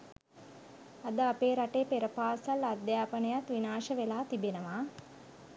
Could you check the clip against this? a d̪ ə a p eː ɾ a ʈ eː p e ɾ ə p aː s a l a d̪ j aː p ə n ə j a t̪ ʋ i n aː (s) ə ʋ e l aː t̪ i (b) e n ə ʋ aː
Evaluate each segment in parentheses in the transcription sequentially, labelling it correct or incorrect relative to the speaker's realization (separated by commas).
incorrect, correct